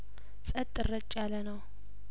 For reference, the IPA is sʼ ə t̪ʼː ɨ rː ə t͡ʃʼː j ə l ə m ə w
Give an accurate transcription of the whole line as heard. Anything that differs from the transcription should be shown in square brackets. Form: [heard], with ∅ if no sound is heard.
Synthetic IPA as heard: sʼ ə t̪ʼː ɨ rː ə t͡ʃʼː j [a] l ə [n] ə w